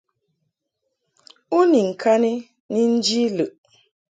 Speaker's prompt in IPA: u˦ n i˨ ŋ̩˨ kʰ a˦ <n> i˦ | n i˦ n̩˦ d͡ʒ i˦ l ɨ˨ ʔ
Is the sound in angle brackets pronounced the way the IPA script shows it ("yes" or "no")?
yes